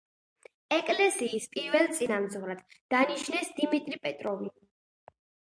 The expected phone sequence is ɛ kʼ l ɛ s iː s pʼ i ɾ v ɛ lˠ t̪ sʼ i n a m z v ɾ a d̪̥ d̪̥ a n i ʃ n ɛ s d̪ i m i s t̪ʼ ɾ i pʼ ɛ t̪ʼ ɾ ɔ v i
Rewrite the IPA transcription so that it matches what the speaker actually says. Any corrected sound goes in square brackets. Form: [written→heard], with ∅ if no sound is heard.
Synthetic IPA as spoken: ɛ kʼ l ɛ s iː s pʼ i ɾ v ɛ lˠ t̪ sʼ i n a m z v ɾ a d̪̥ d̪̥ a n i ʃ n ɛ s d̪ i m i [s→∅] t̪ʼ ɾ i pʼ ɛ t̪ʼ ɾ ɔ v i